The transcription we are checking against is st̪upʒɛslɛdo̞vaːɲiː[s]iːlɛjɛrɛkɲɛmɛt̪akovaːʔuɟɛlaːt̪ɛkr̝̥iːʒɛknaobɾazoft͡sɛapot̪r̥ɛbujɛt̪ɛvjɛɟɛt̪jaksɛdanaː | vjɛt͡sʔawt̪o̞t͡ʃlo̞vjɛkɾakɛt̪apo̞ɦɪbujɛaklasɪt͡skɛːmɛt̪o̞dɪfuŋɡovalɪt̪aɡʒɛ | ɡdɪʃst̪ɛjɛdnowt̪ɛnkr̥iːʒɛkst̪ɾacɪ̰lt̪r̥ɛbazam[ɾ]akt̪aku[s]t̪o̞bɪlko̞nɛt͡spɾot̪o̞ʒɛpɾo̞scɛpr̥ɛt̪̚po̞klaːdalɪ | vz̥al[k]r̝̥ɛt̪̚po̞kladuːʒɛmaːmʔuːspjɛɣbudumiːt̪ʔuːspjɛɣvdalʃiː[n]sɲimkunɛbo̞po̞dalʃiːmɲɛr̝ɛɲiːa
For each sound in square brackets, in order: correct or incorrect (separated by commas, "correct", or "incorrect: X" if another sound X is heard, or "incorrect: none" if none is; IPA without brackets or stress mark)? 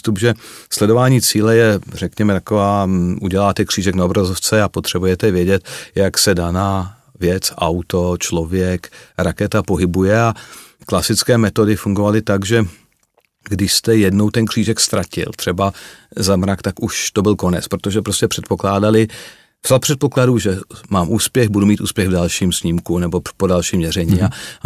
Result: incorrect: t͡s, correct, incorrect: ʃ, incorrect: p, incorrect: m